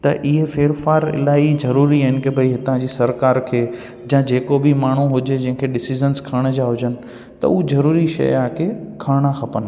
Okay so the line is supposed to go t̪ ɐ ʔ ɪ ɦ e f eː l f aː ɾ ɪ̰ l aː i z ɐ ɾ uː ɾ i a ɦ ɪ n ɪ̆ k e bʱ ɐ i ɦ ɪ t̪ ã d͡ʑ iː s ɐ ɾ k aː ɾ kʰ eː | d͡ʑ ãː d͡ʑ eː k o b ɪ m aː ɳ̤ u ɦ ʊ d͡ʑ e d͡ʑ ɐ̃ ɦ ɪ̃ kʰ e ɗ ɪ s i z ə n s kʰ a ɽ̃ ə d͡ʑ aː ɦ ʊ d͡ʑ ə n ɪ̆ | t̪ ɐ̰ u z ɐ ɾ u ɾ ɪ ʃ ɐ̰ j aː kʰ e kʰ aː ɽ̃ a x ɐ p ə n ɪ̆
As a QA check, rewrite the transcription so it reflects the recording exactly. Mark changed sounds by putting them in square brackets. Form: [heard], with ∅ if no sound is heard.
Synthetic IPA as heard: t̪ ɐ ʔ ɪ ɦ e f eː [ɾ] f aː ɾ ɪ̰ l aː i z ɐ ɾ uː ɾ i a ɦ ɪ n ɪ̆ k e bʱ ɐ i ɦ ɪ t̪ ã d͡ʑ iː s ɐ ɾ k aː ɾ kʰ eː | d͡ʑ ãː d͡ʑ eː k o b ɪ m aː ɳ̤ u ɦ ʊ d͡ʑ e d͡ʑ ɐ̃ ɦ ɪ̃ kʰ e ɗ ɪ s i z ə n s kʰ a ɽ̃ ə d͡ʑ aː ɦ ʊ d͡ʑ ə n ɪ̆ | t̪ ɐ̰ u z ɐ ɾ [uː] ɾ [i] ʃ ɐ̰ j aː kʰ e kʰ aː ɽ̃ a x ɐ p ə n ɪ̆